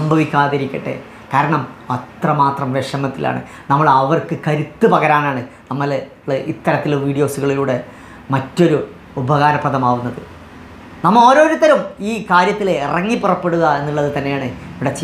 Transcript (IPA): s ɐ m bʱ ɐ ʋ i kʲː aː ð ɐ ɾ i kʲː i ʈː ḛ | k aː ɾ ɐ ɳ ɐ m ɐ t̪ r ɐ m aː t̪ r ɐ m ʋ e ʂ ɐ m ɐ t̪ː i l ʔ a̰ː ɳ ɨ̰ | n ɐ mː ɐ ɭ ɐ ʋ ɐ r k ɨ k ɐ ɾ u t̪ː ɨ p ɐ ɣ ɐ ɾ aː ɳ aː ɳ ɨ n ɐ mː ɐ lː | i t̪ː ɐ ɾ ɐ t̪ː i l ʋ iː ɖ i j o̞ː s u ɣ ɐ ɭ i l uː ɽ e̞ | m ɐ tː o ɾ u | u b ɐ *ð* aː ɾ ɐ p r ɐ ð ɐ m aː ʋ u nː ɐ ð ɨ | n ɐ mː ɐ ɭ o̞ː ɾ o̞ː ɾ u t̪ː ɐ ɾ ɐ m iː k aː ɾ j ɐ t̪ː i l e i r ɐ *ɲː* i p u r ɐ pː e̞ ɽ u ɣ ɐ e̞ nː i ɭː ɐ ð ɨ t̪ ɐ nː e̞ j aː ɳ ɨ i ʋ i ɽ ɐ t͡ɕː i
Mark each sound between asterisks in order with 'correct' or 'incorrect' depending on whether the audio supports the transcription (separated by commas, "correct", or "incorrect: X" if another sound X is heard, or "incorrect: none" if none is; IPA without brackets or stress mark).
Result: incorrect: ɣ, incorrect: ŋː